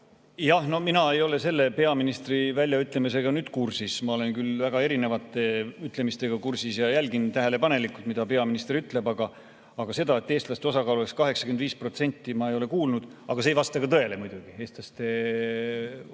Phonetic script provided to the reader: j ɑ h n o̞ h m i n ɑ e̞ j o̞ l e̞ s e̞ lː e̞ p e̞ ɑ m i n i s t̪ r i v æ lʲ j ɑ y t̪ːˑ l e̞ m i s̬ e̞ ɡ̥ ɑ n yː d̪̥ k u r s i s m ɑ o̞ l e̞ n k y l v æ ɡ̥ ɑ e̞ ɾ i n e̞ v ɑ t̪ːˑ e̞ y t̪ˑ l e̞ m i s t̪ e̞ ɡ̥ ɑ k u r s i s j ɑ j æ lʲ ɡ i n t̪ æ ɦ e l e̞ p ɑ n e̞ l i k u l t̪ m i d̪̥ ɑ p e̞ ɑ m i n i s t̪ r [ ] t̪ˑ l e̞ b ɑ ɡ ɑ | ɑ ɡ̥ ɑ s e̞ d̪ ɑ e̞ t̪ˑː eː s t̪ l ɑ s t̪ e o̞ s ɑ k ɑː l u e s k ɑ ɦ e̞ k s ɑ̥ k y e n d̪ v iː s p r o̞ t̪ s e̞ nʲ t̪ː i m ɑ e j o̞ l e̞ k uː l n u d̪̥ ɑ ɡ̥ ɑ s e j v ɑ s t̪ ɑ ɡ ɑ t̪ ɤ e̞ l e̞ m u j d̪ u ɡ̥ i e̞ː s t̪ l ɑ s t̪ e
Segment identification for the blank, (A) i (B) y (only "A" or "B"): B